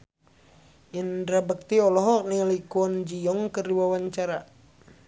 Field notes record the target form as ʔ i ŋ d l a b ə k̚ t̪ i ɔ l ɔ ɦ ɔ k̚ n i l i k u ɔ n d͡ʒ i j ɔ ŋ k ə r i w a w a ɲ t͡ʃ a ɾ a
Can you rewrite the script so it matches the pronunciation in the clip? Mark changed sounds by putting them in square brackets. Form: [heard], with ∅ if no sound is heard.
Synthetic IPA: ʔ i [n] d [ɾ] a b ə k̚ t̪ i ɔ l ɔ ɦ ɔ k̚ n i l i k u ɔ n d͡ʒ i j ɔ ŋ k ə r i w a w a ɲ t͡ʃ a ɾ a